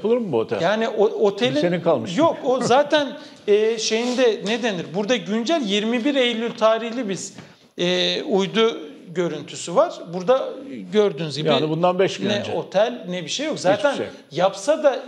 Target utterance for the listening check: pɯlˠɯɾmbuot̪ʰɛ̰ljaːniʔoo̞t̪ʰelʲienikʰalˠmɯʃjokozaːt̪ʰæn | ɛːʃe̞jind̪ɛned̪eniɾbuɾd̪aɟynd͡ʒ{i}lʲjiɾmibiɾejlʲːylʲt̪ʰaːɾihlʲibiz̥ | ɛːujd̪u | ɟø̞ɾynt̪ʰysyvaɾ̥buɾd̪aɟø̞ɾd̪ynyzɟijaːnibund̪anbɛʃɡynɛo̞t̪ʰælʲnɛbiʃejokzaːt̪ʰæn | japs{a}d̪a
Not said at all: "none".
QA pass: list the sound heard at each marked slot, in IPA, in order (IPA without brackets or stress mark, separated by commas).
æ, a